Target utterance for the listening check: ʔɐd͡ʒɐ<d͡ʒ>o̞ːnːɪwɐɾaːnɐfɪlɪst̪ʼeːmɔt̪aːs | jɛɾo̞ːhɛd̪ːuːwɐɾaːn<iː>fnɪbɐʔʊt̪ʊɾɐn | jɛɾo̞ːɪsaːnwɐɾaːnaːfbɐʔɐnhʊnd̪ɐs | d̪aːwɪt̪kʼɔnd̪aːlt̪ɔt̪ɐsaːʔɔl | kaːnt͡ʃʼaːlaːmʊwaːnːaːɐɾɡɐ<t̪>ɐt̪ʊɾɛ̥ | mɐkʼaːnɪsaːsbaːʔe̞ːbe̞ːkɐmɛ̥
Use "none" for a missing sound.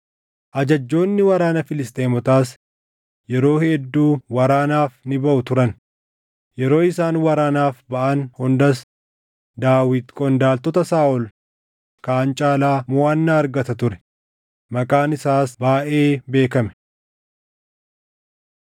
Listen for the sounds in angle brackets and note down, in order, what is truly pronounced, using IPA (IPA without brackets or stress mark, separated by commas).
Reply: d͡ʒː, aː, t̪